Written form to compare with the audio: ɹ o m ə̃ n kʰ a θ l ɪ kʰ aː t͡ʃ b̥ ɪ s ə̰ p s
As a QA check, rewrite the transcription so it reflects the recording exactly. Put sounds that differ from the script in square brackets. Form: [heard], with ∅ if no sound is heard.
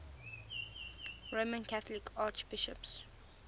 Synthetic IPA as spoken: ɹ o m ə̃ n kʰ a θ l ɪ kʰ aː t͡ʃ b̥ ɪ [ʃ] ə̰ p s